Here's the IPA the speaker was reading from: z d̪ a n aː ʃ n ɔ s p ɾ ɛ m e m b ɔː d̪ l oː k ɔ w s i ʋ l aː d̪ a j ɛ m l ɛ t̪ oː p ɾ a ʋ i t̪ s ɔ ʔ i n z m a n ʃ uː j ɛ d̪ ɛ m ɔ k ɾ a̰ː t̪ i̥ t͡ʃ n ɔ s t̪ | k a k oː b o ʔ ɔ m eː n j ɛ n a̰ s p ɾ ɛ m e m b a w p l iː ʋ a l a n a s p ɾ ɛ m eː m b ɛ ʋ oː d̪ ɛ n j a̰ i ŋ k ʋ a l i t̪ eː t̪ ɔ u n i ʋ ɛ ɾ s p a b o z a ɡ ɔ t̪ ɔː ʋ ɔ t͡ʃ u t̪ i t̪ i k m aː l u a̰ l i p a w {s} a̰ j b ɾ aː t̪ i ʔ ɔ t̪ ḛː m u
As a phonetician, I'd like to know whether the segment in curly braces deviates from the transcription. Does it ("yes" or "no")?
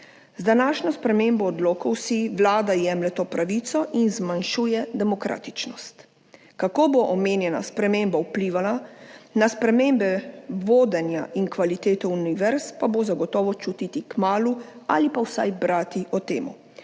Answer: no